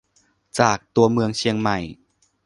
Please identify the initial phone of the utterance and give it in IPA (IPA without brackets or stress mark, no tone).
t͡ɕ